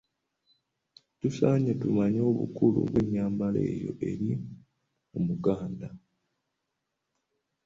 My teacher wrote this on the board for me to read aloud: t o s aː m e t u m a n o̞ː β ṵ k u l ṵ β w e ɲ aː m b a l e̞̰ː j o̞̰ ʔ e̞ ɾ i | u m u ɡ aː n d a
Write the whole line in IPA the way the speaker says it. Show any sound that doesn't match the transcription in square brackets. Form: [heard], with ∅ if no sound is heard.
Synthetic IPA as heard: t [u] s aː [ɲ] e t u m a [ɲ] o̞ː β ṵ k u l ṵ β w e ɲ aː m b a l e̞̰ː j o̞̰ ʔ e̞ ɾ i | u m u ɡ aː n d a